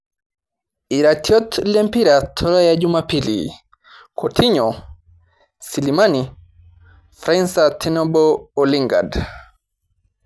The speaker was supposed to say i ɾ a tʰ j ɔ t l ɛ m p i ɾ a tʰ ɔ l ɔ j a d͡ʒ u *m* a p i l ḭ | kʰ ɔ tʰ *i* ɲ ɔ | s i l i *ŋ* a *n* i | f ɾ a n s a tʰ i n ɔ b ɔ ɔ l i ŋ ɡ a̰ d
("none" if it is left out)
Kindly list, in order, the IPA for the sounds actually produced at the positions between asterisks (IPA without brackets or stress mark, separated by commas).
m, i, m, n